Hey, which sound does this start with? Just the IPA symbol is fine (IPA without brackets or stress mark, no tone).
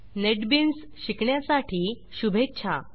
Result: n